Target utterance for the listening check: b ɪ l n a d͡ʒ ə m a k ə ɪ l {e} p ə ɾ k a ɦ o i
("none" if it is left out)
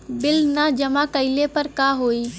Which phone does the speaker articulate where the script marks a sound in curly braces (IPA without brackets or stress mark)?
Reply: e